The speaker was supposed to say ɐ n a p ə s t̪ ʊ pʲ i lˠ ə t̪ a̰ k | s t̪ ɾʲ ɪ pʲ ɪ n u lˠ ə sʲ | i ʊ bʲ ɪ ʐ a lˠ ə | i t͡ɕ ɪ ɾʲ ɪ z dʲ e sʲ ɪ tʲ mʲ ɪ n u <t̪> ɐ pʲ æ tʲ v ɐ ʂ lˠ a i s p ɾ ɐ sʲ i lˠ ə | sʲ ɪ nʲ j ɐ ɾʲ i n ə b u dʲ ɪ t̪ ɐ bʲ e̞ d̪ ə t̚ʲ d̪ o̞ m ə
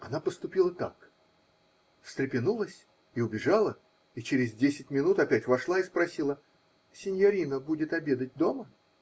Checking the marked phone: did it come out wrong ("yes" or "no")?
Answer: no